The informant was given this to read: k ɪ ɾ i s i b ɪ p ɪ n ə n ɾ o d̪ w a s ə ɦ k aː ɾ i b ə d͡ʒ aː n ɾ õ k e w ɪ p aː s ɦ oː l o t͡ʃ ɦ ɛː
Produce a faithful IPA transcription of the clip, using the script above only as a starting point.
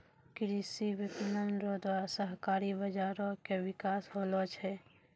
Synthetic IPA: k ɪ ɾ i s i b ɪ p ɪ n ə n ɾ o d̪ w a s ə ɦ k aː ɾ i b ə d͡ʒ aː ɾ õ k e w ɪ k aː s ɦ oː l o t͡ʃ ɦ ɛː